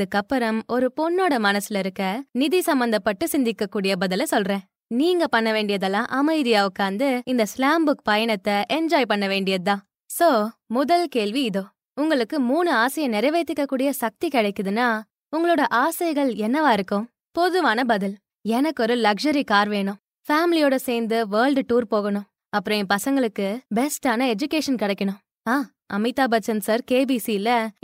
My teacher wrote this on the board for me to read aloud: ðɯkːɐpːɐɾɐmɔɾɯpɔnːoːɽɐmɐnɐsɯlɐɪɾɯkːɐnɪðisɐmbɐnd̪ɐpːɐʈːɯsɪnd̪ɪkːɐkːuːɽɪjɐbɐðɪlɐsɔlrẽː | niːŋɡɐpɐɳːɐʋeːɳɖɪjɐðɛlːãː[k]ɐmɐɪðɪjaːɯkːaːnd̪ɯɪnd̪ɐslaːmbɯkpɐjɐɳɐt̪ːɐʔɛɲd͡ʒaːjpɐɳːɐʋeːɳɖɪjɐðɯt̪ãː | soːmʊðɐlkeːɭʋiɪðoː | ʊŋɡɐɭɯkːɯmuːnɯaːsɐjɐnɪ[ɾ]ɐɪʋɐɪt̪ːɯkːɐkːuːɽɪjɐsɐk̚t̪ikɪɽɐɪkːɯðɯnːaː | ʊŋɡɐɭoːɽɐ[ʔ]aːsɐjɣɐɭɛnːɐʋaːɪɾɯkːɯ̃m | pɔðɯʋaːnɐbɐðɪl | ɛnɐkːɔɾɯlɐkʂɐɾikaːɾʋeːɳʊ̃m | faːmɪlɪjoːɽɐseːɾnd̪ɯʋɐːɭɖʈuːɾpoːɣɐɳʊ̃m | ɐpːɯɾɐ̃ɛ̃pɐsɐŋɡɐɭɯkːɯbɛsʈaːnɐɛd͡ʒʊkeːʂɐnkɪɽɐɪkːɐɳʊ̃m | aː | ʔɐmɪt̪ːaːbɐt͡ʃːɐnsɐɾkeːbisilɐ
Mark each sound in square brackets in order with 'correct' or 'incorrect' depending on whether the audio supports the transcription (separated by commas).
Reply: incorrect, correct, correct